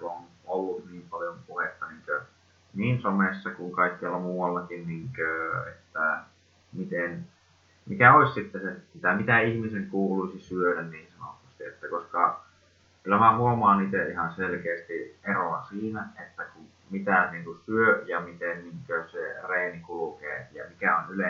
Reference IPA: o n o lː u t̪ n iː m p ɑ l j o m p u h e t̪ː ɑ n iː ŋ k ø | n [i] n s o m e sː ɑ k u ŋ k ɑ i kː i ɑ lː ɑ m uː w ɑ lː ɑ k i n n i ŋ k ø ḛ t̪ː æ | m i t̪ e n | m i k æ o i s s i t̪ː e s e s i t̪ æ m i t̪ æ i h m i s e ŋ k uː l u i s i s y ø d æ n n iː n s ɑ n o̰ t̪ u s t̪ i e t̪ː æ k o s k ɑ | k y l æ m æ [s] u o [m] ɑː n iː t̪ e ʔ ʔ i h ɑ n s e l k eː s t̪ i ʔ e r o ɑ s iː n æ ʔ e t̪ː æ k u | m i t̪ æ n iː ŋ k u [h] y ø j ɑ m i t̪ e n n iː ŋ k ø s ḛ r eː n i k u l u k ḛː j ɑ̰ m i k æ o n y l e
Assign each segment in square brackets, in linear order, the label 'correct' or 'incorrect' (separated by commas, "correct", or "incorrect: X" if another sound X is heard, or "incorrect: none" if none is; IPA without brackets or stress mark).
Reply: incorrect: iː, incorrect: h, correct, incorrect: s